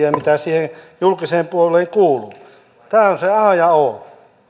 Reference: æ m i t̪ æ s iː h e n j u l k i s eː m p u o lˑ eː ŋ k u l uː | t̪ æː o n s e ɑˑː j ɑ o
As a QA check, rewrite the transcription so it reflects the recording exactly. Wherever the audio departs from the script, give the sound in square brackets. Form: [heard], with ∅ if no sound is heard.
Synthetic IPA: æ m i t̪ æ s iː h e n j u l k i s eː m p u o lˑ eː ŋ k [uː] l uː | t̪ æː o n s e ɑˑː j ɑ o